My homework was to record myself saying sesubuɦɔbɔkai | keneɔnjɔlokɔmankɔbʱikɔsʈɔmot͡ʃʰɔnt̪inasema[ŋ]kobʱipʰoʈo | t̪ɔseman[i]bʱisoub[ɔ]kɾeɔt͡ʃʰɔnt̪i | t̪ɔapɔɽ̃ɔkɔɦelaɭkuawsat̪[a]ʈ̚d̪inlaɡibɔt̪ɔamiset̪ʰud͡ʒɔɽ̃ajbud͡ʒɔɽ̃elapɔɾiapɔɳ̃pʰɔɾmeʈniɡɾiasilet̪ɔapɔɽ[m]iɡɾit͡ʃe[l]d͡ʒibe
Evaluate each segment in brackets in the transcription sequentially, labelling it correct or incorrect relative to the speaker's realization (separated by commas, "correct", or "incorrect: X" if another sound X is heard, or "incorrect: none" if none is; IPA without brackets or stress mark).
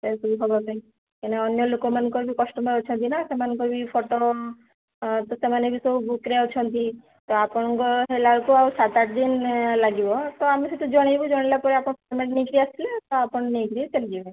incorrect: n, incorrect: e, incorrect: u, correct, incorrect: n, correct